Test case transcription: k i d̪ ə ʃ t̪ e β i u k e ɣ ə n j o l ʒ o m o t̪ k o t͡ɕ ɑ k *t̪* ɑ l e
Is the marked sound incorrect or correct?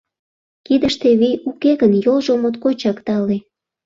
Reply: correct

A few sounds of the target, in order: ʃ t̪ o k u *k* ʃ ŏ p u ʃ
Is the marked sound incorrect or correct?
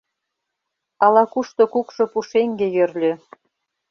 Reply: correct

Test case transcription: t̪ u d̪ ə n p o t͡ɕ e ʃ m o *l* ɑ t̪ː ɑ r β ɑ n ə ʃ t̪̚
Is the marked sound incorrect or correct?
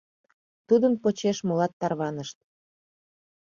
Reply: correct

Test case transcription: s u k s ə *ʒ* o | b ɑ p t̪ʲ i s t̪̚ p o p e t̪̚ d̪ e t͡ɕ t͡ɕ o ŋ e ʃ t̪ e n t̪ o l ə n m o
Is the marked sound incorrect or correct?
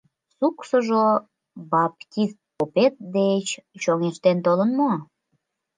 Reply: correct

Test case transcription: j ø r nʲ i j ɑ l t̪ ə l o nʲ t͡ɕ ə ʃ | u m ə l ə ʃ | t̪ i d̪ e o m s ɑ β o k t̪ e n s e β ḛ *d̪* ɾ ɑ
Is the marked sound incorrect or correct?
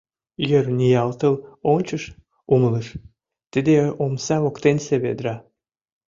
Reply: correct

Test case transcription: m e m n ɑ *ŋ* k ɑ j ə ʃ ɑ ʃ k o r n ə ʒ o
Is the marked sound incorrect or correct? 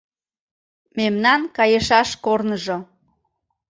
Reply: incorrect: n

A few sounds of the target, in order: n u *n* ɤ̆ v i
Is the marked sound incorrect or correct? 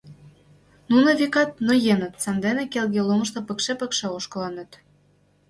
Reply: correct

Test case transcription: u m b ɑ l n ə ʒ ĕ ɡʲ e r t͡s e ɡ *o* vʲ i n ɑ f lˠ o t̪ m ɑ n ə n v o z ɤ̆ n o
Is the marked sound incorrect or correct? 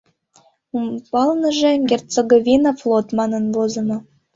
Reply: correct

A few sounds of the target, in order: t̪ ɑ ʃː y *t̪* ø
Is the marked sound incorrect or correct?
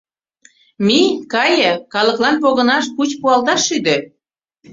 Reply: incorrect: d̪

